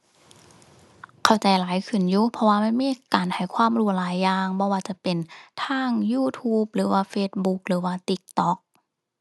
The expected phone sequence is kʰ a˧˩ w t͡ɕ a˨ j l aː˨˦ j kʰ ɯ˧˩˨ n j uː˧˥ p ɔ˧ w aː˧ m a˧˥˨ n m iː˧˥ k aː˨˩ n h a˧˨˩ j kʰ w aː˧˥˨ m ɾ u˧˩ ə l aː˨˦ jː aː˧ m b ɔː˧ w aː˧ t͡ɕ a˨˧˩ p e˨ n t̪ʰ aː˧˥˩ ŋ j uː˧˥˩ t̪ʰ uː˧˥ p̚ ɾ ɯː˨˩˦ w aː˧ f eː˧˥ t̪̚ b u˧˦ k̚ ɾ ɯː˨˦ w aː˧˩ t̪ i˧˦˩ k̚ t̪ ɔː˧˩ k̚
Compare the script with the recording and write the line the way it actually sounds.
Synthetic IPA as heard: kʰ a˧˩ w t͡ɕ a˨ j l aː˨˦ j kʰ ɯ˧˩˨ n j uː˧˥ pʰ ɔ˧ w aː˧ m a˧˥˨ n m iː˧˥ k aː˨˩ n h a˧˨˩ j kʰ w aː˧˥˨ m ɾ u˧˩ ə l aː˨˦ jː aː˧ ŋ b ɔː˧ w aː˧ t͡ɕ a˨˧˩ p e˨ n t̪ʰ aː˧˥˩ ŋ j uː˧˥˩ t̪ʰ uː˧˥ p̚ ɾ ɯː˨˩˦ w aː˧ f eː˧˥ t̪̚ b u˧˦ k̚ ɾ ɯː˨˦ w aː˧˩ t̪ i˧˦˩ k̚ t̪ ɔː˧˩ k̚